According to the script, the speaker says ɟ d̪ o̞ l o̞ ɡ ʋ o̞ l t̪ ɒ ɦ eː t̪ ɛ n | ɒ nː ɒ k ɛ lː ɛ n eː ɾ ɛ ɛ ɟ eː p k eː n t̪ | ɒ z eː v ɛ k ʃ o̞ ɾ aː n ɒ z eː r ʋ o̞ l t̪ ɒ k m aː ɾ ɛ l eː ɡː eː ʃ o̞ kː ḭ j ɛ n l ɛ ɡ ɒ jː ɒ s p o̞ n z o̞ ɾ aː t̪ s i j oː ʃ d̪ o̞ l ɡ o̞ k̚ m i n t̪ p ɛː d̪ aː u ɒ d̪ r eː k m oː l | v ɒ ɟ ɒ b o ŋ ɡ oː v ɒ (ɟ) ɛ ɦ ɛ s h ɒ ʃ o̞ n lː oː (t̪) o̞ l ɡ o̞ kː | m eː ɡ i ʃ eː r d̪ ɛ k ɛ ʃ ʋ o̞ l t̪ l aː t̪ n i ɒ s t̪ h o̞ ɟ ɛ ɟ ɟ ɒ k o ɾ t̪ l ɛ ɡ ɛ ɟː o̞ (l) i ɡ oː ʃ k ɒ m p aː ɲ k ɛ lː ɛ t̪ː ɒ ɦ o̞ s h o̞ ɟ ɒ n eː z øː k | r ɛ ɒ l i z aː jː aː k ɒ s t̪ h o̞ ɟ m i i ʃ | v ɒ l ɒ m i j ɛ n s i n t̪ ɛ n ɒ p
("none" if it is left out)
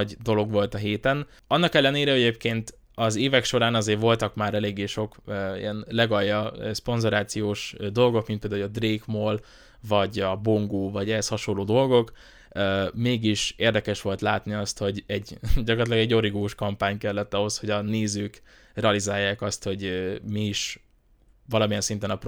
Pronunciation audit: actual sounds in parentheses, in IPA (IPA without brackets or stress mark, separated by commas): ɟ, d̪, ɾ